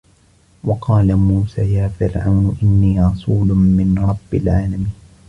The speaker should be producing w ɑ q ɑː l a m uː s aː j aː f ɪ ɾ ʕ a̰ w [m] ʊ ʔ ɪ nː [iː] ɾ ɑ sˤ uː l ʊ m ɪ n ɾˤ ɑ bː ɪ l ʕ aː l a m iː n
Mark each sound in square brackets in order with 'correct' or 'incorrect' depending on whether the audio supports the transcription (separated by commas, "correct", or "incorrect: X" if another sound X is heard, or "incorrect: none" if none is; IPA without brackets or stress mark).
incorrect: n, correct